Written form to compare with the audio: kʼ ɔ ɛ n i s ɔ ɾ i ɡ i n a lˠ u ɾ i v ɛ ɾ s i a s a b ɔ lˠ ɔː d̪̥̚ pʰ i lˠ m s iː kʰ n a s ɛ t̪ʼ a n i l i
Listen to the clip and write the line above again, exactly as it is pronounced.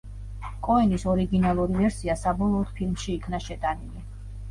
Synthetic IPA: kʼ ɔ ɛ n i s ɔ ɾ i ɡ i n a lˠ u ɾ i v ɛ ɾ s i a s a b ɔ lˠ ɔː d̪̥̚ pʰ i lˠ m ʃ iː kʰ n a ʃ ɛ t̪ʼ a n i l i